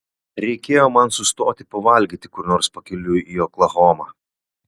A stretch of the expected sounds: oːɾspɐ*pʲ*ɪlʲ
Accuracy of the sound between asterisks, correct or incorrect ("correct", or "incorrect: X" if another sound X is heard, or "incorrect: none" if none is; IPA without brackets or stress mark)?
incorrect: kʲ